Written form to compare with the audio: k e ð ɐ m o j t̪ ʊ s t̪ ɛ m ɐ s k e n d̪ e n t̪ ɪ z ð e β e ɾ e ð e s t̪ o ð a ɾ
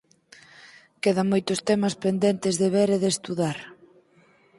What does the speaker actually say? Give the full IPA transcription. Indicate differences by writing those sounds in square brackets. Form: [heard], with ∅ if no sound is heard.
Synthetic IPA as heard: k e ð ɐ m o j t̪ ʊ s t̪ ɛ m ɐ s [p] e n d̪ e n t̪ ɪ z ð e β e ɾ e ð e s t̪ [u] ð a ɾ